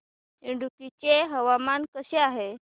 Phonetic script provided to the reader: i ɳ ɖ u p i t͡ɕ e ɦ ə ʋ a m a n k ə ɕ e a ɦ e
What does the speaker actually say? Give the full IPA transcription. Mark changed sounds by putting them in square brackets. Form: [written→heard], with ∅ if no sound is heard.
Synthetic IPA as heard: i ɳ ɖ u [p→k] i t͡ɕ e ɦ ə ʋ a m a n k ə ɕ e a ɦ e